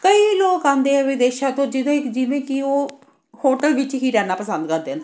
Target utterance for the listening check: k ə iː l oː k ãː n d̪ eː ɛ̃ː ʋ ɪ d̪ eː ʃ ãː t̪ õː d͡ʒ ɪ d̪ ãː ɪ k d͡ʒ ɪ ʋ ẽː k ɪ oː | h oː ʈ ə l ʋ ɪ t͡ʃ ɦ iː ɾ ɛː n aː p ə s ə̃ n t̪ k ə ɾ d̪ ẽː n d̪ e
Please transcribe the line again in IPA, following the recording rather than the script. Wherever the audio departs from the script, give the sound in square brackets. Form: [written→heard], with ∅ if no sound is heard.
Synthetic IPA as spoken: k ə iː l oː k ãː n d̪ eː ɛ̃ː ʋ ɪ d̪ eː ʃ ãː t̪ õː d͡ʒ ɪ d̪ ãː ɪ k d͡ʒ ɪ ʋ ẽː k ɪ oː | h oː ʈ ə l ʋ ɪ t͡ʃ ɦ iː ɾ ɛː n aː p ə s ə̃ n [t̪→d̪] k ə ɾ d̪ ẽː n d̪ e